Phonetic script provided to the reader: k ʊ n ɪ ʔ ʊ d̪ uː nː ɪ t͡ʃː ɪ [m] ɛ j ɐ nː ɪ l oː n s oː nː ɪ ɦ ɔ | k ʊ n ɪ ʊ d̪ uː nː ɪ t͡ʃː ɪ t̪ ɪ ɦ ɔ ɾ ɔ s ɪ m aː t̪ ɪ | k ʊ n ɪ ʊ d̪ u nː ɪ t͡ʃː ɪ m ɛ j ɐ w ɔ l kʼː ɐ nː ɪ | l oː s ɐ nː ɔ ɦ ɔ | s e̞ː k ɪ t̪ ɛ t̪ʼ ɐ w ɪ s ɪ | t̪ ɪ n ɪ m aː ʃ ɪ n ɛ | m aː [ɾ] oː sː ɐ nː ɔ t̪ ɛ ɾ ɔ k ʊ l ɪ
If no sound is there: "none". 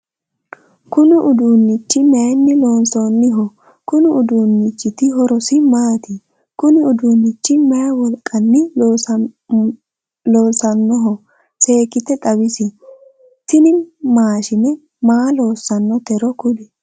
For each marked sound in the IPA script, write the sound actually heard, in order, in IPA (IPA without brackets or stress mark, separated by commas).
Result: m, l